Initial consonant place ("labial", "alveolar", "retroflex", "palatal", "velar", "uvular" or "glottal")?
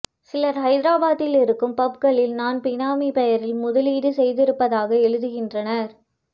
alveolar